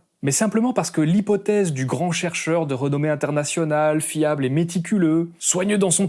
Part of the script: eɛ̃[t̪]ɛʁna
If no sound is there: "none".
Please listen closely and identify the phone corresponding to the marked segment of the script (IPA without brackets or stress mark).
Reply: t̪